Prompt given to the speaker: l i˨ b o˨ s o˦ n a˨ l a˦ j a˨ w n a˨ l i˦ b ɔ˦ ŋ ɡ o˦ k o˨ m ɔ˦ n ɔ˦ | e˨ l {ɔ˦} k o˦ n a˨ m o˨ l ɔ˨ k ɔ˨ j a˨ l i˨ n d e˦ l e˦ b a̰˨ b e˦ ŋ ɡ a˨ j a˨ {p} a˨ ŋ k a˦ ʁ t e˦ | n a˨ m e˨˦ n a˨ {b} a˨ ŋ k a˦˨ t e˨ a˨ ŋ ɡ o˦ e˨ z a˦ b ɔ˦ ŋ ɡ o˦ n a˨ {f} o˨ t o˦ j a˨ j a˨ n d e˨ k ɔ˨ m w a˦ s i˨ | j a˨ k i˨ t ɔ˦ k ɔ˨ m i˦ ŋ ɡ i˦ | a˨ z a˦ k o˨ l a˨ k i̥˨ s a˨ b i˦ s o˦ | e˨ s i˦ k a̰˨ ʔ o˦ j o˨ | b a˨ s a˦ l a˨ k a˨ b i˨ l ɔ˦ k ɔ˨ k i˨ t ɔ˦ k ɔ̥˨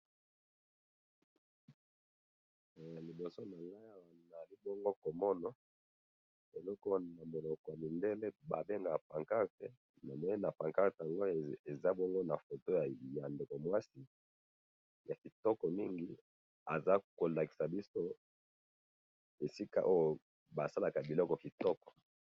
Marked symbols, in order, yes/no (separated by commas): yes, yes, no, yes